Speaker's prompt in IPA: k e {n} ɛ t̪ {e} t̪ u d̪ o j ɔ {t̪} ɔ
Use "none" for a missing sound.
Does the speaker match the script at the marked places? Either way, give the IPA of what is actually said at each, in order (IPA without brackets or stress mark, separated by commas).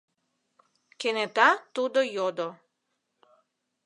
n, a, d̪